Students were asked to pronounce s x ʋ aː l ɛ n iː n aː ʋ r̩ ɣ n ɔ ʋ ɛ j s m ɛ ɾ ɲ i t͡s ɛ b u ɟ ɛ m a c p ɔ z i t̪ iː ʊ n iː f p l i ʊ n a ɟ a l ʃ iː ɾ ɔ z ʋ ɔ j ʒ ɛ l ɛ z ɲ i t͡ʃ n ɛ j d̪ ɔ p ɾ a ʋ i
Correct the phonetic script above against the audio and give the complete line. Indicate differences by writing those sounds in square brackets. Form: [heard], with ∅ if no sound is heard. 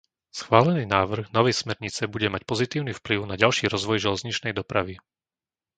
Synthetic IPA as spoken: s x ʋ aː l ɛ n iː n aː ʋ r̩ ɣ n ɔ ʋ ɛ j s m ɛ ɾ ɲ i t͡s ɛ b u ɟ ɛ m a c p ɔ z i t̪ iː ʊ n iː f p l i ʊ n a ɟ a l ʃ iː ɾ ɔ z ʋ ɔ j ʒ ɛ l ɛ z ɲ i t͡ʃ n ɛ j d̪ ɔ p ɾ a ʋ i